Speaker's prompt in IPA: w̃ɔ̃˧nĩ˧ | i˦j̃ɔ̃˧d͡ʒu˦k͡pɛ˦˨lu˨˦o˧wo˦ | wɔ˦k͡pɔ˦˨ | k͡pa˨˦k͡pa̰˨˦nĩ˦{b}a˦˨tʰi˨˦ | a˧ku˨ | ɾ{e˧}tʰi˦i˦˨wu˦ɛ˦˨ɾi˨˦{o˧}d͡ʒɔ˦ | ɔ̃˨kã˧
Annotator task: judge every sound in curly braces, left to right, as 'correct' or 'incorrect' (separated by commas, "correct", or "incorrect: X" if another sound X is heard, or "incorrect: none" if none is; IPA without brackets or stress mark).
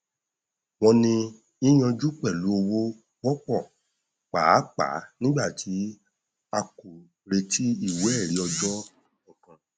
incorrect: ɡ͡b, correct, incorrect: ɔ˧